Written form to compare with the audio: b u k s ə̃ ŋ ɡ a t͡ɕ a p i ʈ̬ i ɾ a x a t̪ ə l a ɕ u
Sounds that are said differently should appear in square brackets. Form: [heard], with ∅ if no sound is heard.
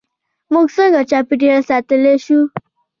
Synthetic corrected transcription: [m] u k s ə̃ ŋ ɡ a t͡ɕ a p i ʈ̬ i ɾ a [s] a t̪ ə l [e] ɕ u